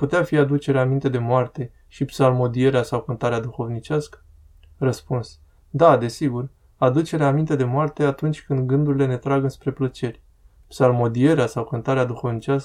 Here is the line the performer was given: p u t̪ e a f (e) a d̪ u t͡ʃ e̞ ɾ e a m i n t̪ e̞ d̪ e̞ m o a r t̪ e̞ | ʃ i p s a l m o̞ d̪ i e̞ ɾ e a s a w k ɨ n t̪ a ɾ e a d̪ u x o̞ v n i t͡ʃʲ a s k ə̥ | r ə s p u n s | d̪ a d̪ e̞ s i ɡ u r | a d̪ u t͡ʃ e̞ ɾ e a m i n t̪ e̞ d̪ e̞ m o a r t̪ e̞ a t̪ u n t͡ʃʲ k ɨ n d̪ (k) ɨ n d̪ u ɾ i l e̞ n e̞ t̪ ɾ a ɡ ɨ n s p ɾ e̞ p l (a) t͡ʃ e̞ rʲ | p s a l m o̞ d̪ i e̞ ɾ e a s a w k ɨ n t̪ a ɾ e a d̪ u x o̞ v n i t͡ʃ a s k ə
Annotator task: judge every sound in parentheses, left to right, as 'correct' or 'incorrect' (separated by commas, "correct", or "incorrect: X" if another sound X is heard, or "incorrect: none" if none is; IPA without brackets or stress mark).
incorrect: i, incorrect: ɡ, incorrect: ə